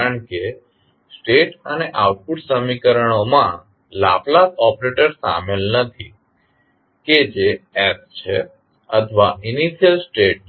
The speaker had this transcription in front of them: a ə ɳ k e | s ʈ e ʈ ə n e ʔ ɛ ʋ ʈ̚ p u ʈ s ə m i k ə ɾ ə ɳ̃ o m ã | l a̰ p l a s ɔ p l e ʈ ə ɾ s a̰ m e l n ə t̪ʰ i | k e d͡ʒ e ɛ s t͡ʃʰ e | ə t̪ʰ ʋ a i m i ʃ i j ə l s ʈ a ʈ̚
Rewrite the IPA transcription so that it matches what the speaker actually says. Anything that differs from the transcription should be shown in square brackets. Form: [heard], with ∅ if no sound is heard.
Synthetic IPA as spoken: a ə ɳ k e | s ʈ e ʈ ə n e ʔ [a] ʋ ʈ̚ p u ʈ s ə m i k ə ɾ ə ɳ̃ o m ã | l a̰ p l a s ɔ p [ɾ] e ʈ ə ɾ s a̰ m e l n ə t̪ʰ i | k e d͡ʒ e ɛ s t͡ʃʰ e | ə t̪ʰ ʋ a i [n] i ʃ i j ə l s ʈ [e] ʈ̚